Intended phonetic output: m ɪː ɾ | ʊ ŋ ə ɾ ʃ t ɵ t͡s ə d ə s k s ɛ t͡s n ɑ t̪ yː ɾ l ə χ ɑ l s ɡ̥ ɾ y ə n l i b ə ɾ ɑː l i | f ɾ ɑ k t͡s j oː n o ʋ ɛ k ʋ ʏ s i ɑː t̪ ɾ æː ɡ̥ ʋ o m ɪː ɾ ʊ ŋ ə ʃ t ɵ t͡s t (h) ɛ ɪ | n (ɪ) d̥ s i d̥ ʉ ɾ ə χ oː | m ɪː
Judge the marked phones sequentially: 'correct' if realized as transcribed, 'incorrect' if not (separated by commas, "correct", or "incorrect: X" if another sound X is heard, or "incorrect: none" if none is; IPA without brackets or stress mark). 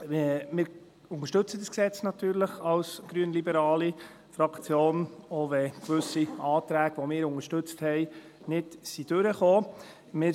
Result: correct, correct